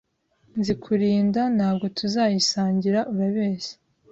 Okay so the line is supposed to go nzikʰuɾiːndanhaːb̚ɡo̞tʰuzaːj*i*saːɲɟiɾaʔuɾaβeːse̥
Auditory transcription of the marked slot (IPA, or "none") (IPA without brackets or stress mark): i